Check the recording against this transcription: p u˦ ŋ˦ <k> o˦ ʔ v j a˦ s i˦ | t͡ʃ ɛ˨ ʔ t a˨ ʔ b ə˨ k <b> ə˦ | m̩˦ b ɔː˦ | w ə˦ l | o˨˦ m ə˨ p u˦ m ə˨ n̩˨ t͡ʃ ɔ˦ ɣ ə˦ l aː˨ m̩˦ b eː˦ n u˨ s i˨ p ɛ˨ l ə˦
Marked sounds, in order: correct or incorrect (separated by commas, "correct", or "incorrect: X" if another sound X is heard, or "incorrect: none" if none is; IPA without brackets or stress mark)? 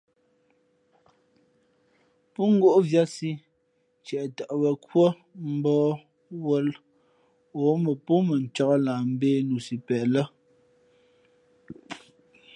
incorrect: ɡ, incorrect: w